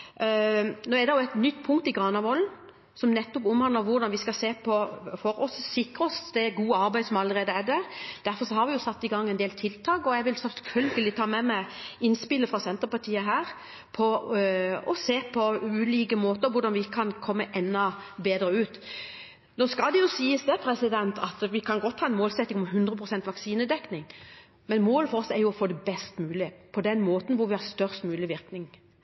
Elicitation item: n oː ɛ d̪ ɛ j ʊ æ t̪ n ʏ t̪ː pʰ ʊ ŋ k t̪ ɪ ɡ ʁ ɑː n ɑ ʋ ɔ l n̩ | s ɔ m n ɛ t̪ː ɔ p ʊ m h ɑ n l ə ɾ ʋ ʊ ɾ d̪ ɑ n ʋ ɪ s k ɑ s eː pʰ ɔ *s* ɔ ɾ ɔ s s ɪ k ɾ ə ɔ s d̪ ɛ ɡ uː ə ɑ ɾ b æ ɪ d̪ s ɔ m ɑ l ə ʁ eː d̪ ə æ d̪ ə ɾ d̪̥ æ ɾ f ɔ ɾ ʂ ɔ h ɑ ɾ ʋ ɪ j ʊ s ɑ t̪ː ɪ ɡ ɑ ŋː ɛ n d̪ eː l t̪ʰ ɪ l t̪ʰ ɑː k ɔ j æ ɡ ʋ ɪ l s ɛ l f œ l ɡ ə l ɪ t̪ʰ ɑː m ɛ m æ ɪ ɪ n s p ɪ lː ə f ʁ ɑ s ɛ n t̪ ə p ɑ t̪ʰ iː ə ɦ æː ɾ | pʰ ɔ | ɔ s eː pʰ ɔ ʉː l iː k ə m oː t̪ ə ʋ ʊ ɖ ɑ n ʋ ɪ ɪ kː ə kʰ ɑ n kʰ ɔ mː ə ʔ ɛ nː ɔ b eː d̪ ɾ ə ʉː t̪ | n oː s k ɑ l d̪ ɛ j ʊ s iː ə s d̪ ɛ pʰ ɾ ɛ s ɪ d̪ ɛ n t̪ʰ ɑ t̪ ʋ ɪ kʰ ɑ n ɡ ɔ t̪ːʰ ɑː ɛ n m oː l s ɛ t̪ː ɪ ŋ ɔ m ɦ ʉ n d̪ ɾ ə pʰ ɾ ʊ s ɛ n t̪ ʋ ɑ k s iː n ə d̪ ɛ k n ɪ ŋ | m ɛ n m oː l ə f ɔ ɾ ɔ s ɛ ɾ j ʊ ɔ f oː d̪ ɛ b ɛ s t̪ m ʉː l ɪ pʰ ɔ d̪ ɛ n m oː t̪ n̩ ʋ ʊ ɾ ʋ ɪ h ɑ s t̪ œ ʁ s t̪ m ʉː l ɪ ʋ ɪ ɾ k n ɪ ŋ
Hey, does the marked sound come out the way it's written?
no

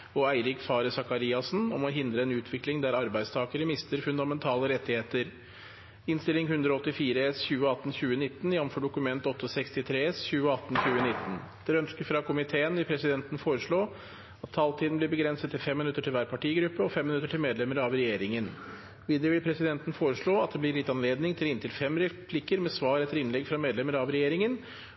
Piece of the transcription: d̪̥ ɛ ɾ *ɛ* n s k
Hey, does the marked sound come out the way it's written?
no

